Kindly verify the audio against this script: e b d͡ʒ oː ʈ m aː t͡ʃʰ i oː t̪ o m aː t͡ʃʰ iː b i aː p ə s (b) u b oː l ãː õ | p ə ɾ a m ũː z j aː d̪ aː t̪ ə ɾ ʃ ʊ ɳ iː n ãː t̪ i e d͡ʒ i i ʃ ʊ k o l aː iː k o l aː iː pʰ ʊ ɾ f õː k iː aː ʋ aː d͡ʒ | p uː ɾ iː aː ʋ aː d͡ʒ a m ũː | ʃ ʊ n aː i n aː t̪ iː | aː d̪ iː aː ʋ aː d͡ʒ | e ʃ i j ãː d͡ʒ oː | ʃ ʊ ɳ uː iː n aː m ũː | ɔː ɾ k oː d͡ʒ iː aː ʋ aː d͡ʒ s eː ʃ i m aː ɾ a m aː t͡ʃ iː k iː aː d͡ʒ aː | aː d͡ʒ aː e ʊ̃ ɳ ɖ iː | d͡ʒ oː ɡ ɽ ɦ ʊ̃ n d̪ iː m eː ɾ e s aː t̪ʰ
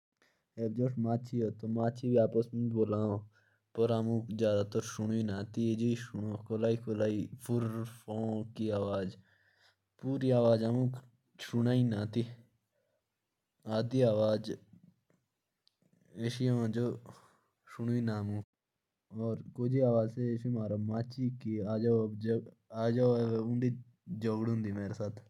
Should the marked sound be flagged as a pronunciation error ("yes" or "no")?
yes